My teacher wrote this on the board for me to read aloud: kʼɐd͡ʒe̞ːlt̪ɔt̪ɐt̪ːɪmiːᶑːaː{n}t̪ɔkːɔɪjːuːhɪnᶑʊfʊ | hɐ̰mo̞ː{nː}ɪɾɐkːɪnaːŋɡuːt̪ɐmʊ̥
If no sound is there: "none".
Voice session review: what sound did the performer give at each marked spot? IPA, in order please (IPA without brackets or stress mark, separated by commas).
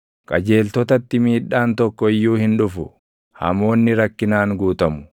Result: n, nː